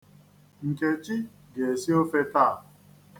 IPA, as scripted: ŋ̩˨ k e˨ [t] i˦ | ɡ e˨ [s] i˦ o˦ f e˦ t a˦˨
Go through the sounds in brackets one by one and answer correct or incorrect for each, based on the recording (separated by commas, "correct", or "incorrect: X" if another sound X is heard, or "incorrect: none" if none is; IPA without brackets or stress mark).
incorrect: t͡ʃ, correct